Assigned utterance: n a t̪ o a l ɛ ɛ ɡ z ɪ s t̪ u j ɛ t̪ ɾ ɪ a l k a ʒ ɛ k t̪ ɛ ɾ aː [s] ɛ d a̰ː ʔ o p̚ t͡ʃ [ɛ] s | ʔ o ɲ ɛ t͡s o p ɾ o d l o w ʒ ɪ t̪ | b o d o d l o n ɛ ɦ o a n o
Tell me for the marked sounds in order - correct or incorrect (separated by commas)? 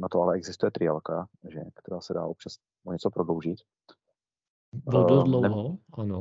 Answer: correct, incorrect